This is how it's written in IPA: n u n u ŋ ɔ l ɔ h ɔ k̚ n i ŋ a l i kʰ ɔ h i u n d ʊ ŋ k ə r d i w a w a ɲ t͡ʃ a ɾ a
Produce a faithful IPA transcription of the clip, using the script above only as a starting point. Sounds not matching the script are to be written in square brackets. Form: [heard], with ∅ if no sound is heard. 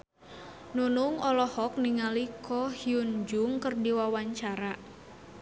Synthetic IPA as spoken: n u n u ŋ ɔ l ɔ h ɔ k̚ n i ŋ a l i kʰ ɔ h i u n [d͡ʒ] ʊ ŋ k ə r d i w a w a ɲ t͡ʃ a ɾ a